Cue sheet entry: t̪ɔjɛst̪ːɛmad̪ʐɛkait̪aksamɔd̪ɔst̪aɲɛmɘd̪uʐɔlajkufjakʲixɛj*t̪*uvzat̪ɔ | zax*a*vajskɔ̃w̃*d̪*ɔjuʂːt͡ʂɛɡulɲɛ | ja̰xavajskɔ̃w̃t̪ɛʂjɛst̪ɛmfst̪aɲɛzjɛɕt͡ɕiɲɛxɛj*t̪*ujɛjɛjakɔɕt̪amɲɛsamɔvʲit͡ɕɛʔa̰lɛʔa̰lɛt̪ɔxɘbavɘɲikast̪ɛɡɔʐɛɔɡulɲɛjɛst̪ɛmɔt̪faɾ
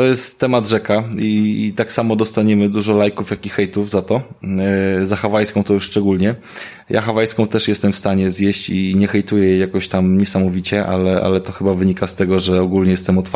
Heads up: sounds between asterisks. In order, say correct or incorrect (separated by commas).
correct, correct, incorrect, correct